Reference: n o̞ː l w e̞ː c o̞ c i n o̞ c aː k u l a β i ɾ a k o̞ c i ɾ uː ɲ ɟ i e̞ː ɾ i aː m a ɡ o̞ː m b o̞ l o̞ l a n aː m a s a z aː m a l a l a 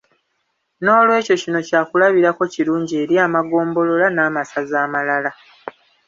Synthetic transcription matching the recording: n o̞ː l w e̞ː c o̞ c i n o̞ c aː k u l a β i ɾ a k o̞ c i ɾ uː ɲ ɟ i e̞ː ɾ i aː m a ɡ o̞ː m b o̞ l o̞ l a n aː m a s a z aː m a l a l a

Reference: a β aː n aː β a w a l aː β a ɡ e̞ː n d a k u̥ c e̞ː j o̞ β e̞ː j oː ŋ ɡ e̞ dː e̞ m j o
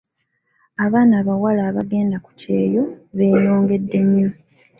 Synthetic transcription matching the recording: a β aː n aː β a w a l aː β a ɡ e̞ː n d a k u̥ c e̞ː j o̞ β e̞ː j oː ŋ ɡ e̞ dː e̞ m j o

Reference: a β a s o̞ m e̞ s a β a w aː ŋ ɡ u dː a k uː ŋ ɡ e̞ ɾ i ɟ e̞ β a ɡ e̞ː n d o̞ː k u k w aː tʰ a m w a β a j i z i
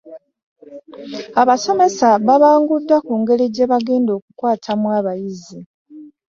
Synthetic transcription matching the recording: a β a s o̞ m e̞ s a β a β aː ŋ ɡ u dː a k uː ŋ ɡ e̞ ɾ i ɟ e̞ β a ɡ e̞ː n d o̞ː k u k w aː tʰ a m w a β a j i z i

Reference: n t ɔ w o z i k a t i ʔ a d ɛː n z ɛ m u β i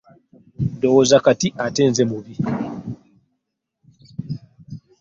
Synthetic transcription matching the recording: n d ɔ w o z a k a t i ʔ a t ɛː n z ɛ m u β i

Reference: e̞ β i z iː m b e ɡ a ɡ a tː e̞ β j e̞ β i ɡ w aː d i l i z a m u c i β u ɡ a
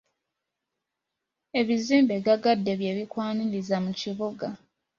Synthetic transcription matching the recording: e̞ β i z iː m b e ɡ a ɡ a dː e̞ β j e̞ β i k w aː n i l i z a m u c i β u ɡ a

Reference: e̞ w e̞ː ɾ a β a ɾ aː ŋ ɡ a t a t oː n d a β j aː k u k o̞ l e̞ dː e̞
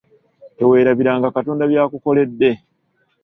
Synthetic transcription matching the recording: e̞ w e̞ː ɾ a β i ɾ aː ŋ ɡ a k a t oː n d a β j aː k u k o̞ l e̞ dː e̞

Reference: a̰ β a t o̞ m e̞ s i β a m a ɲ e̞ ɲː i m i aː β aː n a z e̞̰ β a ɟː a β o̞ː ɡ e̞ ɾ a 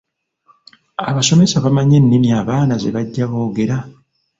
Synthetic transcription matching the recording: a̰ β a s o̞ m e̞ s a β a m a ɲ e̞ nː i m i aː β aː n a z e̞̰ β a ɟː a β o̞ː ɡ e̞ ɾ a

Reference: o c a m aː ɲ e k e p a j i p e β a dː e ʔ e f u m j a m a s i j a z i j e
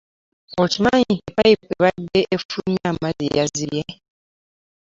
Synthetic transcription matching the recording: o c i m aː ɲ i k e p a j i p e β a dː e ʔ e f u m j a m a z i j a z i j e

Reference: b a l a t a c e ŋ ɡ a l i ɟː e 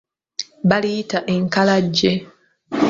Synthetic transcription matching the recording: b a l i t a ʔ e ŋ k a l a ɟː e

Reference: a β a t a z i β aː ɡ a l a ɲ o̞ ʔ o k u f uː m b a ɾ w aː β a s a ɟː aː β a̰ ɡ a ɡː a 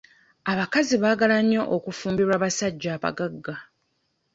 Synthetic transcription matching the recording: a β a k a z i β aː ɡ a l a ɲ o̞ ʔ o k u f uː m b i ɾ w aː β a s a ɟː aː β a̰ ɡ a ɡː a

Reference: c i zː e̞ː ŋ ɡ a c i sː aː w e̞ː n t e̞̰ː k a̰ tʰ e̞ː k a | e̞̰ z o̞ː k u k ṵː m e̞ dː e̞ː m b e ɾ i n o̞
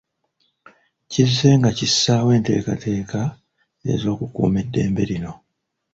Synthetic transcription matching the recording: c i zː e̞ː ŋ ɡ a c i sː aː w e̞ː n t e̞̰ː k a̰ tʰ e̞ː k a | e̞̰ z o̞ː k u k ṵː m e̞ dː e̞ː m b e ɾ i n o̞

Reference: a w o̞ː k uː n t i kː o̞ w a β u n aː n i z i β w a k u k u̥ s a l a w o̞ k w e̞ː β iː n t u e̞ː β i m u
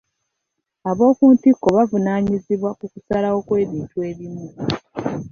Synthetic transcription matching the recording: a β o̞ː k uː n t i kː o̞ β a v u n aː ɲ i z i β w a k u k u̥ s a l a w o̞ k w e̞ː β iː n t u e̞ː β i m u

